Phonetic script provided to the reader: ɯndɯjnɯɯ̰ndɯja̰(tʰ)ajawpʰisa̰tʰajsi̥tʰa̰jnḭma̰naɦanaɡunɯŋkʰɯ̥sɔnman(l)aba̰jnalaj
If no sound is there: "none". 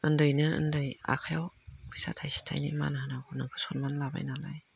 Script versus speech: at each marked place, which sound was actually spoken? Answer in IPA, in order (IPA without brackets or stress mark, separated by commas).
kʰ, l